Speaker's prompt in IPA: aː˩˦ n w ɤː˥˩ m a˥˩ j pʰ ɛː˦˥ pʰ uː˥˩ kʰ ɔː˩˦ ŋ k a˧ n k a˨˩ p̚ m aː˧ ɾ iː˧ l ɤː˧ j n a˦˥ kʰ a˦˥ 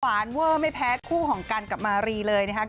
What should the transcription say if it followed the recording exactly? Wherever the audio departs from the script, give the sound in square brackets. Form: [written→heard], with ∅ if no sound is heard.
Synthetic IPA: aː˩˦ n w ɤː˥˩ m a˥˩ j pʰ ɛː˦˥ [pʰ→kʰ] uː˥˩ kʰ ɔː˩˦ ŋ k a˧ n k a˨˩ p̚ m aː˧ ɾ iː˧ l ɤː˧ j n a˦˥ kʰ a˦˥